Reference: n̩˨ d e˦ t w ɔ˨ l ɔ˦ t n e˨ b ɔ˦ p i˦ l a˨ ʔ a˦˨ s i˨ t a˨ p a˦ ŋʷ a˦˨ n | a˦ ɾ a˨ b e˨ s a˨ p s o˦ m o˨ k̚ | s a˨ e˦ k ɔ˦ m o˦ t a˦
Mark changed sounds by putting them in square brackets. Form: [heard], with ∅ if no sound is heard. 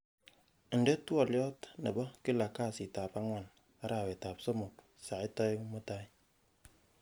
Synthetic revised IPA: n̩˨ d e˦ t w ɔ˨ l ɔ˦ t n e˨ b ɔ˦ [k] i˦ l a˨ [k] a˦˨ s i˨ t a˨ p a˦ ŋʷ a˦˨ n | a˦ ɾ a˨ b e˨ [t] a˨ p s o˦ m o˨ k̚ | s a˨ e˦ [t] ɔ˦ m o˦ t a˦